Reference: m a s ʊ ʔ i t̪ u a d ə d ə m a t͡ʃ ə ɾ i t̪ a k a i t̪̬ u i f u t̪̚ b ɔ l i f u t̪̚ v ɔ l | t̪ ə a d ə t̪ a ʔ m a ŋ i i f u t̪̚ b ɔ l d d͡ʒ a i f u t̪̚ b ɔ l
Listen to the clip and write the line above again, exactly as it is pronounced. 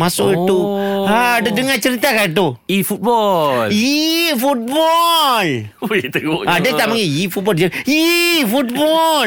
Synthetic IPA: m a s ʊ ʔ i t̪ u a d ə d ə ŋ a t͡ʃ ə ɾ i t̪ a k a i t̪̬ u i f u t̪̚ b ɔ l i f u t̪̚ b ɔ l | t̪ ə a d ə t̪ a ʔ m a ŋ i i f u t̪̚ b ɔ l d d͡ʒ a i f u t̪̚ b ɔ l